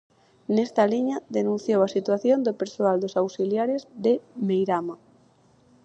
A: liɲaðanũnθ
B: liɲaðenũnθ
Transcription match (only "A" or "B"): B